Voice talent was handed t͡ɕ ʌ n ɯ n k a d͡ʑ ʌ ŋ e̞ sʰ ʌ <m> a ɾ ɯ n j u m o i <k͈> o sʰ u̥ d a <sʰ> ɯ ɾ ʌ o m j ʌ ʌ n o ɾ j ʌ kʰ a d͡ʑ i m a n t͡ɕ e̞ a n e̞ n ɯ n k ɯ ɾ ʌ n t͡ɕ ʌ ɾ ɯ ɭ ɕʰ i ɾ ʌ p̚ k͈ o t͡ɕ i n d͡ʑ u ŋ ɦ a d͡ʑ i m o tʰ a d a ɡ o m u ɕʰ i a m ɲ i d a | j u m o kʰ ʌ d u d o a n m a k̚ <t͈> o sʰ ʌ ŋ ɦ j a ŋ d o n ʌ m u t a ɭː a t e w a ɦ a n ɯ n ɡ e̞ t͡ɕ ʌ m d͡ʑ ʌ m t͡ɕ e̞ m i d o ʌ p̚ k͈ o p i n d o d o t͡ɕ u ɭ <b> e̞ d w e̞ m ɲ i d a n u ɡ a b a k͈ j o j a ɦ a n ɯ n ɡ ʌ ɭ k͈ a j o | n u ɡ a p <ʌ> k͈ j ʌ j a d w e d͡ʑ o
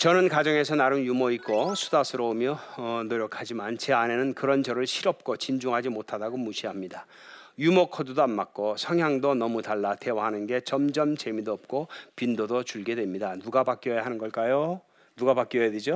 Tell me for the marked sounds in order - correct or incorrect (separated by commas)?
incorrect, correct, correct, incorrect, incorrect, incorrect